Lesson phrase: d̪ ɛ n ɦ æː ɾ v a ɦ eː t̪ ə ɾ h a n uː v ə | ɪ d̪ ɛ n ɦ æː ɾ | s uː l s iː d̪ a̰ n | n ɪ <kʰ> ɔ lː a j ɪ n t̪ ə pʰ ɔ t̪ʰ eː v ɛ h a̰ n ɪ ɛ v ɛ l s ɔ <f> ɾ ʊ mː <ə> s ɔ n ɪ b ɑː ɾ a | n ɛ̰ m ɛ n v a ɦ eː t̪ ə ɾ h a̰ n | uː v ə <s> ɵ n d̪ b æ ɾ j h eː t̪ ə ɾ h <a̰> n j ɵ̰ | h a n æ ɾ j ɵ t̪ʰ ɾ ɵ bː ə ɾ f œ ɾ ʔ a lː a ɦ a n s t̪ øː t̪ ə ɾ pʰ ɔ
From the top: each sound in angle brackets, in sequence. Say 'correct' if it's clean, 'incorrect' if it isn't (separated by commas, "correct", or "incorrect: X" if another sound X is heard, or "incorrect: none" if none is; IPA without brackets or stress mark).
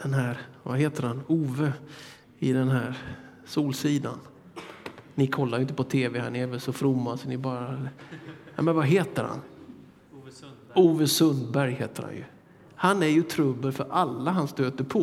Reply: correct, correct, incorrect: a, correct, correct